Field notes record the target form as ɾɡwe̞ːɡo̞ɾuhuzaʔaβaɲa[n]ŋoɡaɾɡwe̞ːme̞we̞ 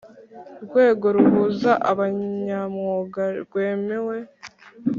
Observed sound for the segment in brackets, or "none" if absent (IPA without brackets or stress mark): m